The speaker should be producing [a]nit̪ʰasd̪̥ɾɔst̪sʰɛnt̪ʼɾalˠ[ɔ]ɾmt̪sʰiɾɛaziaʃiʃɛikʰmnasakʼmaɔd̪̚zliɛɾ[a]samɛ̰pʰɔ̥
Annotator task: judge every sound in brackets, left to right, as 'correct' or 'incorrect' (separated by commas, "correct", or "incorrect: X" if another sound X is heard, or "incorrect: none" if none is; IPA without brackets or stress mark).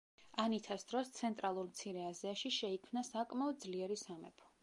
correct, incorrect: u, incorrect: i